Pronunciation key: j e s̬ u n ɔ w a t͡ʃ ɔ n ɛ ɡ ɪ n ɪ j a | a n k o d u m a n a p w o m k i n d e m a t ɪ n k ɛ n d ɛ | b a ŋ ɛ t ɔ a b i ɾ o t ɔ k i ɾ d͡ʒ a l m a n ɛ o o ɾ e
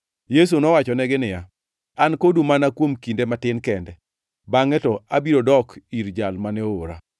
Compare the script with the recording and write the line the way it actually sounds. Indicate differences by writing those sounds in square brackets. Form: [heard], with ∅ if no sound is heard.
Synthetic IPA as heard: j e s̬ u n ɔ w a t͡ʃ ɔ n ɛ ɡ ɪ n ɪ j a | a n k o d u m a n a [k] w o m k i n d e m a t ɪ n k ɛ n d ɛ | b a ŋ ɛ t ɔ a b i ɾ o [d] ɔ k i ɾ d͡ʒ a l m a n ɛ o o ɾ [a]